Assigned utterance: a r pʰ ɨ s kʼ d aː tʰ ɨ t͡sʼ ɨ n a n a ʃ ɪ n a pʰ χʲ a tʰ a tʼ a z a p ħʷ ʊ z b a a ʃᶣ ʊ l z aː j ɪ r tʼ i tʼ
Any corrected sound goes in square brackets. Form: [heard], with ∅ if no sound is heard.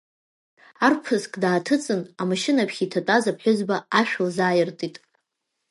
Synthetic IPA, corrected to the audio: a r pʰ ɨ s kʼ d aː tʰ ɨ t͡sʼ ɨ n a [m] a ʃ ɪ n a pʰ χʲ [i] tʰ a tʼ a z a p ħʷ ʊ z b a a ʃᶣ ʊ l z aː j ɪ r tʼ i tʼ